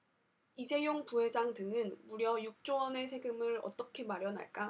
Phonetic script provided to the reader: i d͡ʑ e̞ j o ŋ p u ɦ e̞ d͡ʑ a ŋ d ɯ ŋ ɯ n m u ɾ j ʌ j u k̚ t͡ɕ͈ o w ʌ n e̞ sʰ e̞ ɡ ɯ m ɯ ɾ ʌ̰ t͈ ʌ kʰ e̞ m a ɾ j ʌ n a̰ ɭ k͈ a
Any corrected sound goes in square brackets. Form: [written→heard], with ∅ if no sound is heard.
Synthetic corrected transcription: i d͡ʑ e̞ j o ŋ p u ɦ e̞ d͡ʑ a ŋ d ɯ ŋ ɯ n m u ɾ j ʌ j u k̚ t͡ɕ͈ o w ʌ n e̞ sʰ e̞ ɡ ɯ m ɯ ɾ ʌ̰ t͈ ʌ kʰ e̞ m a ɾ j ʌ n a̰ ɭ k͈ a